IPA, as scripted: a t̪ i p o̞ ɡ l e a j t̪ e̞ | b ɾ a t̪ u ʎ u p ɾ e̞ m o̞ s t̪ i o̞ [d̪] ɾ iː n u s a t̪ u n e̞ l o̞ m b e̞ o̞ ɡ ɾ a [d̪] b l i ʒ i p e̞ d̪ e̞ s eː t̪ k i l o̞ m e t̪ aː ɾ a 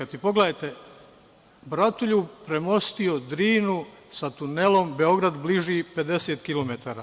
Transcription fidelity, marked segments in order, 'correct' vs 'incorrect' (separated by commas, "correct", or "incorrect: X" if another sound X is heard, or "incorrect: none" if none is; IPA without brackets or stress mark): correct, correct